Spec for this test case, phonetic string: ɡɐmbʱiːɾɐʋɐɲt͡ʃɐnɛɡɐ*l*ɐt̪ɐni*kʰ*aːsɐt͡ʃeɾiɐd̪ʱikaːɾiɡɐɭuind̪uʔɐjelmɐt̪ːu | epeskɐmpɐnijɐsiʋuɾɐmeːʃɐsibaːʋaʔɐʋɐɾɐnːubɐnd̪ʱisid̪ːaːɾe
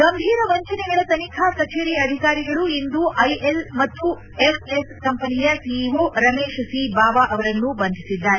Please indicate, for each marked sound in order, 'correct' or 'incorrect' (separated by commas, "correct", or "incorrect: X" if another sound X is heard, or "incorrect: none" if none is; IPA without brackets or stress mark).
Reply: incorrect: ɭ, correct